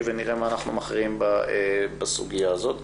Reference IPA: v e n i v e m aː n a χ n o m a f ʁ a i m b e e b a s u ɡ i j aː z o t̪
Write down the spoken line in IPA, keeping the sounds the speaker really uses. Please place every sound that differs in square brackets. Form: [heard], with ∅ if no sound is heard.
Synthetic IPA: v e n i [ʁ] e m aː n a χ n [u] m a [χ] ʁ [i] i m b [a] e b a s u ɡ i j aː z o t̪